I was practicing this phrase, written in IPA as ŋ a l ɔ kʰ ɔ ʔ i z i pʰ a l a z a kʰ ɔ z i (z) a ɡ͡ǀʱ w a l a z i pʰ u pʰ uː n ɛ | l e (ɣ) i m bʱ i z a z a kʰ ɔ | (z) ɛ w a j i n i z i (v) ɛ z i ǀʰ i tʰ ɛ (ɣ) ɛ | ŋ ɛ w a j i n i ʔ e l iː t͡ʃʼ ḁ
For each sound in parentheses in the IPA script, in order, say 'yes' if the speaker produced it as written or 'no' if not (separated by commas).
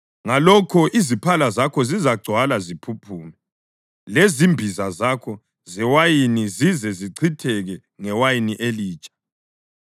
yes, no, yes, no, yes